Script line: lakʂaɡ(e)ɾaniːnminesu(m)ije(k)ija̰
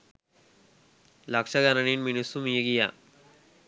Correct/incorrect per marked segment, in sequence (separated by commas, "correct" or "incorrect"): incorrect, correct, incorrect